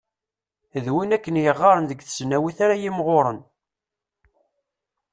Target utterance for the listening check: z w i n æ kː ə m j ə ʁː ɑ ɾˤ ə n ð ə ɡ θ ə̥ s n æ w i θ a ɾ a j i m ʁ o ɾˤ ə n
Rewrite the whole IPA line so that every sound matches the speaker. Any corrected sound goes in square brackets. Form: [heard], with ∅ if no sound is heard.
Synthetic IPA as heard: [ð] w i n æ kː ə [n] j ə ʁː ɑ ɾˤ ə n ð ə ɡ θ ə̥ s n æ w i θ a ɾ a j i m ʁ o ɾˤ ə n